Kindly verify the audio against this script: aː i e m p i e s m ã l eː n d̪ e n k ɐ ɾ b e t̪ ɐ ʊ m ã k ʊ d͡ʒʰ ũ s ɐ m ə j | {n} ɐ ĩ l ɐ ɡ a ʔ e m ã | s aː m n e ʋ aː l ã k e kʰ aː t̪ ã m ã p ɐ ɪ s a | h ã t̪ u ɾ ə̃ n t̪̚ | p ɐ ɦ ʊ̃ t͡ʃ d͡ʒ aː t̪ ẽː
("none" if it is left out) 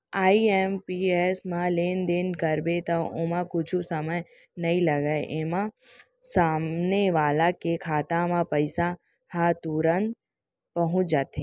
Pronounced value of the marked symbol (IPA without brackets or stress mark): n